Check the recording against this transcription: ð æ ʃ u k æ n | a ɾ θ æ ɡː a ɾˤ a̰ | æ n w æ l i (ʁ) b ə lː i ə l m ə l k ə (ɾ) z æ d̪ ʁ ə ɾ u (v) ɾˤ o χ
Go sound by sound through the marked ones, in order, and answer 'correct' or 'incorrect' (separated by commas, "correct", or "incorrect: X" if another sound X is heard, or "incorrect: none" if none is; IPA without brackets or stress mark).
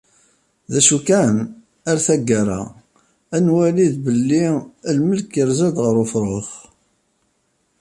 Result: incorrect: ð, correct, incorrect: f